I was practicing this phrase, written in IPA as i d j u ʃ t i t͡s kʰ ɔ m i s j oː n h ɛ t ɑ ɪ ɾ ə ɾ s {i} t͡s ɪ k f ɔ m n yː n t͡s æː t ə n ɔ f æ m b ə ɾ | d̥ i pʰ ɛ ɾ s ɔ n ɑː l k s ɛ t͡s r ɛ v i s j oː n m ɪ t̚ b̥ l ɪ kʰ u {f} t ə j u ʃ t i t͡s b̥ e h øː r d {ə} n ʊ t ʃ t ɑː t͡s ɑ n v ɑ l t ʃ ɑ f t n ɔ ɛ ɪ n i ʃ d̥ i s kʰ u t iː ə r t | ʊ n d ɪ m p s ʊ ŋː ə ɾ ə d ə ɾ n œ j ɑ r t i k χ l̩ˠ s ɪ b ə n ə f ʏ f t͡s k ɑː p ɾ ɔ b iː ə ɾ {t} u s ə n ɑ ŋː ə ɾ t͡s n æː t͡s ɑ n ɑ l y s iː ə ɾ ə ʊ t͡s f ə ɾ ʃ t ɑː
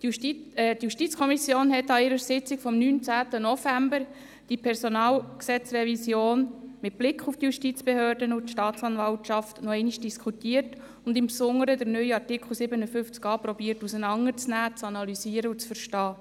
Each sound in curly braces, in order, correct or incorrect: incorrect: ɪ, correct, correct, correct

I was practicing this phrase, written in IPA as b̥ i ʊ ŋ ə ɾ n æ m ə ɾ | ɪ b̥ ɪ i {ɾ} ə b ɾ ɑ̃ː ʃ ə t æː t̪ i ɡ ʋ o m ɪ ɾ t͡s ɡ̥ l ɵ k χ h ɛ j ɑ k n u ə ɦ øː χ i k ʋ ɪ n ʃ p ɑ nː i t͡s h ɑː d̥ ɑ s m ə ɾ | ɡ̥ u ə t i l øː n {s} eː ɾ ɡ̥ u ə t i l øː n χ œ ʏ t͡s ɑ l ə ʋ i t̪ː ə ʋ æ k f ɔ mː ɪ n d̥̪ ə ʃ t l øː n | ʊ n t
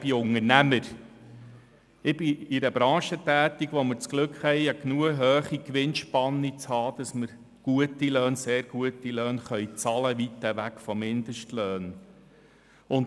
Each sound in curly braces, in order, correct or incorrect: correct, correct

